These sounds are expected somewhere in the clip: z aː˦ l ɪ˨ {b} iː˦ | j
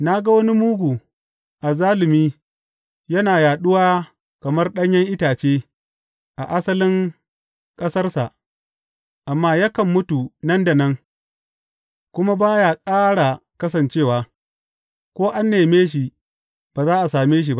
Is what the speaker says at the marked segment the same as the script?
no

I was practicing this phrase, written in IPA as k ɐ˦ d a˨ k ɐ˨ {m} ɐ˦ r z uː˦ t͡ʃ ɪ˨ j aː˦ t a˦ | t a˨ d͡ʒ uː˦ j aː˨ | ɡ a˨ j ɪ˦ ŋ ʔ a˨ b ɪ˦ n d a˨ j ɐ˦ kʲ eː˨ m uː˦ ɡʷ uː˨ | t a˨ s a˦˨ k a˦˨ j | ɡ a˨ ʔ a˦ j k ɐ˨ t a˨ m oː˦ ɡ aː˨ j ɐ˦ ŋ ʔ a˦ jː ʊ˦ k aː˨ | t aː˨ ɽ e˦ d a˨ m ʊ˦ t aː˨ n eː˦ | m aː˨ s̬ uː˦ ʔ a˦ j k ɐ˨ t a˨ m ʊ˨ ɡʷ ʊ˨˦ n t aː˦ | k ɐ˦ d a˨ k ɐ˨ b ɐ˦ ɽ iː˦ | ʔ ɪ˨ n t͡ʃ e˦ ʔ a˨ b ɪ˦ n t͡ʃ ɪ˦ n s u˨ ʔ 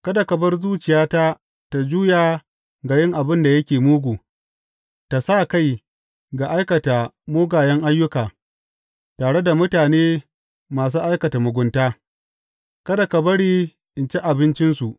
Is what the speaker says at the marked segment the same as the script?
no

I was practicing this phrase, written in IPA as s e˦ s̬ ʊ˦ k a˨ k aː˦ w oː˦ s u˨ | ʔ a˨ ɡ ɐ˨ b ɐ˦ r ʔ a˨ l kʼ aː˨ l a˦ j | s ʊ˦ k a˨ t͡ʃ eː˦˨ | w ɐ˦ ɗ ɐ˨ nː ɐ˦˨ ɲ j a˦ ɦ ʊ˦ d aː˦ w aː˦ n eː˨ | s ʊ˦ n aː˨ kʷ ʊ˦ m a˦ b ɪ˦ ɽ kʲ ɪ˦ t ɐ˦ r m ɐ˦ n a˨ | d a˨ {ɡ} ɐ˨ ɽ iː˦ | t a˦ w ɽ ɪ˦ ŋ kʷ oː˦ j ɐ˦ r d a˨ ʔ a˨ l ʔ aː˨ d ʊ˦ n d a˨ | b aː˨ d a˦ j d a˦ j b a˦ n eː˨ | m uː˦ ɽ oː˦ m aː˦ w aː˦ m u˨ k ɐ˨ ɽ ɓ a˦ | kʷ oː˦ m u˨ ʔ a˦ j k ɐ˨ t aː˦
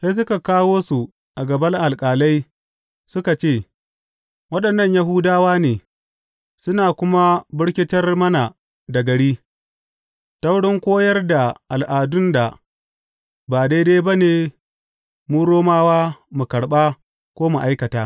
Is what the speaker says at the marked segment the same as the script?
yes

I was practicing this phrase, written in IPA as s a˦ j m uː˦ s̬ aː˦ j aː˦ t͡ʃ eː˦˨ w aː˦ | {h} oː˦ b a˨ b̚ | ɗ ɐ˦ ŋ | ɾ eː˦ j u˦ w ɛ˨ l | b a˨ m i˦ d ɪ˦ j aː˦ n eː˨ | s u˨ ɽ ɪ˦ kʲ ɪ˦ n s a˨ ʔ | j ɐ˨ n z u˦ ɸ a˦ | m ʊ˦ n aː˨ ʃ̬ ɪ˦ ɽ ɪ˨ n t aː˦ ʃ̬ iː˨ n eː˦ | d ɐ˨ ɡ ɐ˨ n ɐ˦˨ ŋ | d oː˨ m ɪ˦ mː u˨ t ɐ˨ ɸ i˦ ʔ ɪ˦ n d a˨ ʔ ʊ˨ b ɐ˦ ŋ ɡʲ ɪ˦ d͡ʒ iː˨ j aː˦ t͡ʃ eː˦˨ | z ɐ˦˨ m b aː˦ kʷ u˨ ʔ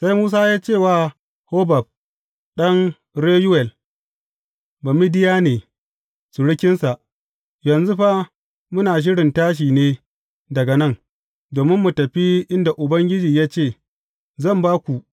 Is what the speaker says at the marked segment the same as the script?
yes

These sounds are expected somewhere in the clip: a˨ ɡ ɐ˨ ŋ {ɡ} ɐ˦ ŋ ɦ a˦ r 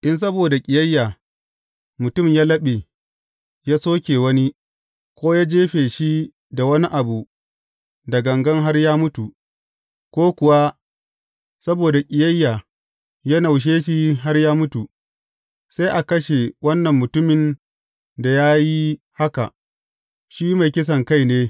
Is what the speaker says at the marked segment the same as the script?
yes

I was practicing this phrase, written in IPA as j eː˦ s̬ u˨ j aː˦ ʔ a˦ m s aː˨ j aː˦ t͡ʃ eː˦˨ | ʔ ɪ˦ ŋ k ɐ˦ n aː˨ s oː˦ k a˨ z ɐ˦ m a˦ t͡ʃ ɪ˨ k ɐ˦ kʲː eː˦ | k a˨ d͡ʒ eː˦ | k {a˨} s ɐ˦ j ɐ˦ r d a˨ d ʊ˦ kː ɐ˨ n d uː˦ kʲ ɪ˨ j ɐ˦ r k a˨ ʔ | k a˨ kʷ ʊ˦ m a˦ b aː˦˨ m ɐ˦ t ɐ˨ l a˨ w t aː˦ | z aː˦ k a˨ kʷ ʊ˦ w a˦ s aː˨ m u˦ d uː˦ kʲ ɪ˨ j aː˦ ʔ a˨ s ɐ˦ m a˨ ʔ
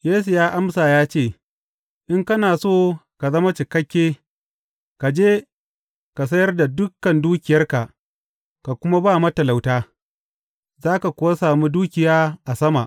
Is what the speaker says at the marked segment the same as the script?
yes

